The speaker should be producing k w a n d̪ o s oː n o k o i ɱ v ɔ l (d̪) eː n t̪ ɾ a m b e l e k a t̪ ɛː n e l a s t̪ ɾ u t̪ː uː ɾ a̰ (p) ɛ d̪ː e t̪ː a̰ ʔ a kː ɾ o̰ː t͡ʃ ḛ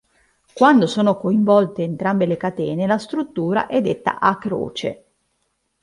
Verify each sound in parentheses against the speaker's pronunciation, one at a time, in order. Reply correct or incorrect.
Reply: incorrect: t̪, incorrect: ʔ

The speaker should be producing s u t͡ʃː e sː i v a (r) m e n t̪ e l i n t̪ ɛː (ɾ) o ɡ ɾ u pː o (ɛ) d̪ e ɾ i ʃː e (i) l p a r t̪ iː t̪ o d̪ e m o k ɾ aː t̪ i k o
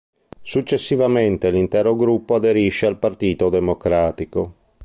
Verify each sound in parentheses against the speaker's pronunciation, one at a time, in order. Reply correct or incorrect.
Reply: incorrect: none, correct, incorrect: a, incorrect: a

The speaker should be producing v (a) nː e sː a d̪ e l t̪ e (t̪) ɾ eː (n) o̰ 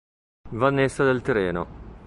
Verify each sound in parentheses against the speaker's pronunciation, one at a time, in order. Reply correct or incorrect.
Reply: correct, incorrect: none, correct

